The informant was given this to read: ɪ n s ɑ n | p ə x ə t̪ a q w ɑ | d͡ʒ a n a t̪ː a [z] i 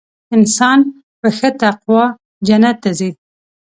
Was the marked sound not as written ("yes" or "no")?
no